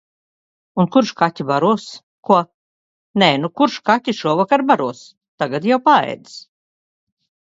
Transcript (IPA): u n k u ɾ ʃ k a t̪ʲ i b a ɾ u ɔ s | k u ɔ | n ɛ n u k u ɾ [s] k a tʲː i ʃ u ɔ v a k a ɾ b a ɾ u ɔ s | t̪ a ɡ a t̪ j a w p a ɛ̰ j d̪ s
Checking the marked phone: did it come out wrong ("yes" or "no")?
yes